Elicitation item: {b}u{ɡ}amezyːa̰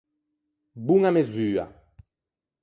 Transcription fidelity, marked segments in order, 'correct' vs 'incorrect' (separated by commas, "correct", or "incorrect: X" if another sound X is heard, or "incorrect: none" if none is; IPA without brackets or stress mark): correct, incorrect: ŋ